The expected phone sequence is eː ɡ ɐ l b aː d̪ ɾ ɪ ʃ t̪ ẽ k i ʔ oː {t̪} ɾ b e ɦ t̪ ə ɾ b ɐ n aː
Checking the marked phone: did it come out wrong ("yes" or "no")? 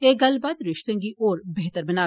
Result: yes